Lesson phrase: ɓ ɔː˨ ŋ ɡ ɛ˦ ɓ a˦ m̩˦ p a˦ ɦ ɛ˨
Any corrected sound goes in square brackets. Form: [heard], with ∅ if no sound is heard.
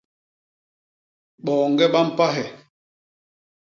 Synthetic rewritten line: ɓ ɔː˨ ŋ ɡ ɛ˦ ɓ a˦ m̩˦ p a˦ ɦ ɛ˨